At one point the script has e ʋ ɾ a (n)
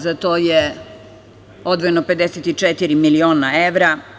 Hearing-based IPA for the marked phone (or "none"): none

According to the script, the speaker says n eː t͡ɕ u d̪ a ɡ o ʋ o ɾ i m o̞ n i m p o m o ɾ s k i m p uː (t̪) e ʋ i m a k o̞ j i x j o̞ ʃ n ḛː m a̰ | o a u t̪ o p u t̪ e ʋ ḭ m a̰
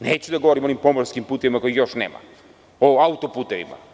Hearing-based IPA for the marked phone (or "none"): t̪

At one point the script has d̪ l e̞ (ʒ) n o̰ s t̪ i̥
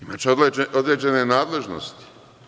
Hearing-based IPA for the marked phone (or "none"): ʒ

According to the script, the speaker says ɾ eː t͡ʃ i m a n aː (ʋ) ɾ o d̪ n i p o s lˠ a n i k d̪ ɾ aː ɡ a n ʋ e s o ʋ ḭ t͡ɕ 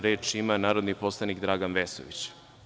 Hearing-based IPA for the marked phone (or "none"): none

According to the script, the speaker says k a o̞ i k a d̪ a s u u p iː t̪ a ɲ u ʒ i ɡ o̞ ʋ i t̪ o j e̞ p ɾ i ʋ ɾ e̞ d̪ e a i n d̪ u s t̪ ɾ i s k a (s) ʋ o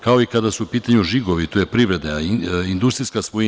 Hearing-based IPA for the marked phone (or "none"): s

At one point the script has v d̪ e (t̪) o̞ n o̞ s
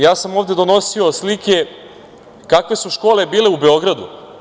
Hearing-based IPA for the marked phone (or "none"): d̪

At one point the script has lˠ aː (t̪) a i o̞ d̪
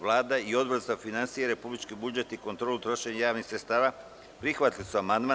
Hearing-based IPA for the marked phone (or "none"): d̪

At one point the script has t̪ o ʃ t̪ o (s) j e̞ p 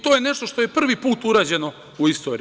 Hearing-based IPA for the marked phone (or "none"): none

